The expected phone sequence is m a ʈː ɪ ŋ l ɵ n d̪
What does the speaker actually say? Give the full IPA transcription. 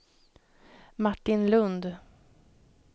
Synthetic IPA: m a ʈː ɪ n l ɵ n d̪

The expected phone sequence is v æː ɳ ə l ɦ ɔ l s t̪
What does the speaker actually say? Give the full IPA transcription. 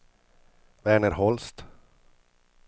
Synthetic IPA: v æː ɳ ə ɾ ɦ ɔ l s t̪

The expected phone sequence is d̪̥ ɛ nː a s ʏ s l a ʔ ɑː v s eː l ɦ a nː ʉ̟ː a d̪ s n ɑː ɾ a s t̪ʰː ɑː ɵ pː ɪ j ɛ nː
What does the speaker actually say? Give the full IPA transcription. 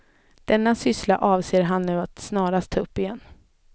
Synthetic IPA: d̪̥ ɛ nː a s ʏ s l a ʔ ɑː v s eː ɾ ɦ a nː ʉ̟ː a t̪ s n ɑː ɾ a s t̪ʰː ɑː ɵ pː ɪ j ɛ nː

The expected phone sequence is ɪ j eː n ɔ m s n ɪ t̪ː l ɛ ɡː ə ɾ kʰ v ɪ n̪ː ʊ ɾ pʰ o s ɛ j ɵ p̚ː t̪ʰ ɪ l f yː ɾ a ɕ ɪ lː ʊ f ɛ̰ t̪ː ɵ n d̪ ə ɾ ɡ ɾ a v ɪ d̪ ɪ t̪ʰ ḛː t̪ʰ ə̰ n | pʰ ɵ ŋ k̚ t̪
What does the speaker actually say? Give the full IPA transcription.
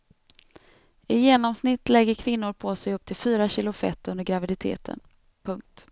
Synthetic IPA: ɪ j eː n ɔ m s n ɪ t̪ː l ɛ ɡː ə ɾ kʰ v ɪ n̪ː ʊ ɾ pʰ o s ɛ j ɵ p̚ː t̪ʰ ɪ l f yː ɾ a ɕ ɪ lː ʊ f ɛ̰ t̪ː ɵ n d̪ ə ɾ ɡ ɾ a v ɪ d̪ ɪ t̪ʰ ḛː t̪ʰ ə̰ n | pʰ ɵ ŋ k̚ t̪

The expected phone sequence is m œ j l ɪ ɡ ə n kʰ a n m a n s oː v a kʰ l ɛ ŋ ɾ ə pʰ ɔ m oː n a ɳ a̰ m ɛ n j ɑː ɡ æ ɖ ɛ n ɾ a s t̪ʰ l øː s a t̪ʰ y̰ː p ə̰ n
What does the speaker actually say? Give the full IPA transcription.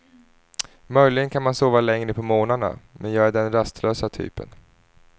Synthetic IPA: m œ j l ɪ ɡ ə n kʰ a n m a n s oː v a l ɛ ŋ ɾ ə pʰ ɔ m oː n a ɳ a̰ m ɛ n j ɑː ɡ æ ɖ ɛ n ɾ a s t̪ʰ l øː s a t̪ʰ y̰ː p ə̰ n

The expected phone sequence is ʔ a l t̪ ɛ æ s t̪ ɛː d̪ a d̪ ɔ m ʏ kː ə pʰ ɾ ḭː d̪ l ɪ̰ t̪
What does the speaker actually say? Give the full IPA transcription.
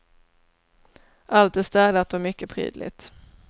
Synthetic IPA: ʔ a l t̪ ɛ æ s t̪ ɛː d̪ a t̪ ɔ m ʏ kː ə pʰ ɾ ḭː d̪ l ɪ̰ t̪

